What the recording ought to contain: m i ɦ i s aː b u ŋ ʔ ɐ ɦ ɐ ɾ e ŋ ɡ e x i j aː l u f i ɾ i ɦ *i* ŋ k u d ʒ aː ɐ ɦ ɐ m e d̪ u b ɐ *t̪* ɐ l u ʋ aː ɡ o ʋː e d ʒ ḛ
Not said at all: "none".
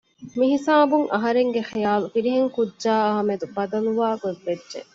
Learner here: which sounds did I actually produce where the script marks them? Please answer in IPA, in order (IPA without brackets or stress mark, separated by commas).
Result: e, d̪